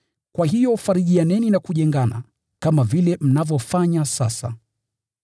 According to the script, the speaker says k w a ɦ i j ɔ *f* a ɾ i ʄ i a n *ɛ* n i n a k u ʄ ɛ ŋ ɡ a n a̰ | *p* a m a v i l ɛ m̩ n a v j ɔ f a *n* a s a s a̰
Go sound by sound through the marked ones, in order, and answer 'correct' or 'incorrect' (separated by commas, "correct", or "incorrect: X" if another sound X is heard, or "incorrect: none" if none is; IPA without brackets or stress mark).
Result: correct, correct, incorrect: k, incorrect: ɲ